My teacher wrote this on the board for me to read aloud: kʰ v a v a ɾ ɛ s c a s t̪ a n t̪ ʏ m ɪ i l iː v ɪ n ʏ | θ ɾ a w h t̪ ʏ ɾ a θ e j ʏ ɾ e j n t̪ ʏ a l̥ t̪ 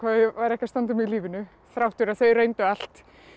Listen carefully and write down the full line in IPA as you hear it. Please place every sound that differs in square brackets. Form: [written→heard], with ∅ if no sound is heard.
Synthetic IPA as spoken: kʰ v a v a ɾ ɛ [s→h] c a s t̪ a n t̪ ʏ m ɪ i l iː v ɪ n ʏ | θ ɾ a w h t̪ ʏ ɾ a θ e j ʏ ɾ e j n t̪ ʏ a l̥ t̪